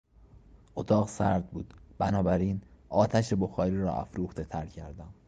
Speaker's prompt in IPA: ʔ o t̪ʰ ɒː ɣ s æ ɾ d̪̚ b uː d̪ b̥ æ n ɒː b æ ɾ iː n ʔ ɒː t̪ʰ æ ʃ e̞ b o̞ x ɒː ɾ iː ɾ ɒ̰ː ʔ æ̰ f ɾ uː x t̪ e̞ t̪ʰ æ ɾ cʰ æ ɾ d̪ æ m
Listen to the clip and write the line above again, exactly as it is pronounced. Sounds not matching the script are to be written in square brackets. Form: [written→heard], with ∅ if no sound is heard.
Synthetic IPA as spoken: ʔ o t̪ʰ ɒː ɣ s æ ɾ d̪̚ b uː d̪ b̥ æ n ɒː b æ ɾ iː n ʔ ɒː t̪ʰ æ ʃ e̞ b o̞ x ɒː ɾ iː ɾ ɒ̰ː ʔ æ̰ f ɾ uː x t̪ e̞ t̪ʰ æ ɾ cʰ æ ɾ d̪ æ m